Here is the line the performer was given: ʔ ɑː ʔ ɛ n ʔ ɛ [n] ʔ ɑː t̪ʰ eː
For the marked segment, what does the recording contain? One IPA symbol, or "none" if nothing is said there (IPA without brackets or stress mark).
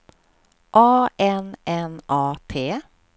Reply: n